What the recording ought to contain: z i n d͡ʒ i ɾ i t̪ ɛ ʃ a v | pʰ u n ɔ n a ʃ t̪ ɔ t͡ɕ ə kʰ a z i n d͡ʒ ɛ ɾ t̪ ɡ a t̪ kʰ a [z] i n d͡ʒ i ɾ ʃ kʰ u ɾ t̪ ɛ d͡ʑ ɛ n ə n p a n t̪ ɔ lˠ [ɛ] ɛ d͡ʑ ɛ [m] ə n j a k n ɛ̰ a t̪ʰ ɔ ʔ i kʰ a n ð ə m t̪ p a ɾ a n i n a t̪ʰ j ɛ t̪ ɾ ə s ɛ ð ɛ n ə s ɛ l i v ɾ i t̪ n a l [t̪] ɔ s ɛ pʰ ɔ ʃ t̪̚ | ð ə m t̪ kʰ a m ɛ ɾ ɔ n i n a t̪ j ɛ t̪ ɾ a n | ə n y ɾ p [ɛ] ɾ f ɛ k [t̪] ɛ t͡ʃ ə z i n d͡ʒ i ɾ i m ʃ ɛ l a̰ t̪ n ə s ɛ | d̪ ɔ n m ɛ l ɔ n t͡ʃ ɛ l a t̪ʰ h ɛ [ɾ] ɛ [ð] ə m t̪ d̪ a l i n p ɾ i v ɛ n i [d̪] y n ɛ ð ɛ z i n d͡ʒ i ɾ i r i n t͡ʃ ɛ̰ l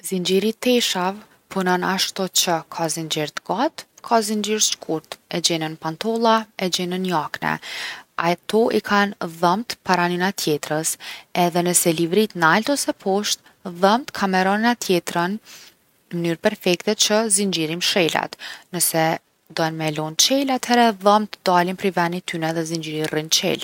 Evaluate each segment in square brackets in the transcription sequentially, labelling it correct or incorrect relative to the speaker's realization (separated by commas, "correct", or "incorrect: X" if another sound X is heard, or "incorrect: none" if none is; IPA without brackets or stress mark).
correct, incorrect: a, incorrect: n, correct, correct, correct, correct, correct, incorrect: t̪